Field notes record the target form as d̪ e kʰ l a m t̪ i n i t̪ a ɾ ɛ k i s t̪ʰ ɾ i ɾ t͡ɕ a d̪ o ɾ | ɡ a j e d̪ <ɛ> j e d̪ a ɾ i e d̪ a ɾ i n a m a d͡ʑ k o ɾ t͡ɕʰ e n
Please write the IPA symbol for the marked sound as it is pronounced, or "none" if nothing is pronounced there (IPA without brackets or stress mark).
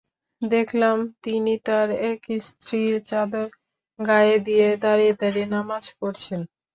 i